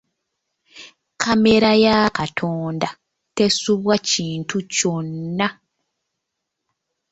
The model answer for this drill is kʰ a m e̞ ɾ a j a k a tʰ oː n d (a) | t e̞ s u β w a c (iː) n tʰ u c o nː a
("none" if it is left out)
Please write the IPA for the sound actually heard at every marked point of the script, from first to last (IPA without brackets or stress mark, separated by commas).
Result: a, iː